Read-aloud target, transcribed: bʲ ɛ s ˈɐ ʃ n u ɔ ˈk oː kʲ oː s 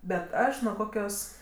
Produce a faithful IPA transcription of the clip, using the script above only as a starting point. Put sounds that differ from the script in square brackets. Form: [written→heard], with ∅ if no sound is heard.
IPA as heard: bʲ ɛ [s→t] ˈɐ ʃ n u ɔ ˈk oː kʲ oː s